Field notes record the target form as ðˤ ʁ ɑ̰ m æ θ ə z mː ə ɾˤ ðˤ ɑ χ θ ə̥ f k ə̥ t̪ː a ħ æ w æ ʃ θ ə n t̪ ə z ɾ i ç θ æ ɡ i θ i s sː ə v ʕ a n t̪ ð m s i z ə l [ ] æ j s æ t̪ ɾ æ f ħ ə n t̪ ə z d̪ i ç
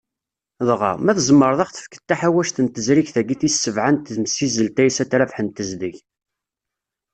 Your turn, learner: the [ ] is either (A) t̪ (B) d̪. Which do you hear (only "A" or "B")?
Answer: A